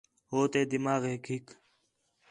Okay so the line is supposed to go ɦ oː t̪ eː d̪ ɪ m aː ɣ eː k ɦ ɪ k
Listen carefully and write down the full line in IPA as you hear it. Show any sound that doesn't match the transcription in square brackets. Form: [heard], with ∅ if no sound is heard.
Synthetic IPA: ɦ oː t̪ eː d̪ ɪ m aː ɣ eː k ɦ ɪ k